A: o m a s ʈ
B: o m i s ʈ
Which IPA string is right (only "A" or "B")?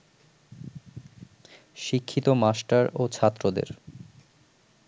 A